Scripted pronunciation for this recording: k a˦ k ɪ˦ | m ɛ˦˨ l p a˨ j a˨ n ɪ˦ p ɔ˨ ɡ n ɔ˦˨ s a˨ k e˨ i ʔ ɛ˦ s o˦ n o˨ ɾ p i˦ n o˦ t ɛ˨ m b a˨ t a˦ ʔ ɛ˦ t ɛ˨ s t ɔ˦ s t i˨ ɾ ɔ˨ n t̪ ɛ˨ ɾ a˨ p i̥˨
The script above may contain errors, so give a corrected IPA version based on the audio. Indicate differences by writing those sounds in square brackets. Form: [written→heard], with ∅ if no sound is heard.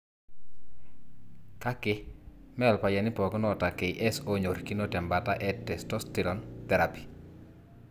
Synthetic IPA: k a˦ k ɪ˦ | m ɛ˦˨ l p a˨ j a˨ n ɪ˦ p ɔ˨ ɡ n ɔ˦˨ [s→t] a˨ k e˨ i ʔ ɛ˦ s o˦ [n→ɲ] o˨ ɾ [p→k] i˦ n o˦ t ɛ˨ m b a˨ t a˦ ʔ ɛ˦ t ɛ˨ s t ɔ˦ s t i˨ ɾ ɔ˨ n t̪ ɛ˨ ɾ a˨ p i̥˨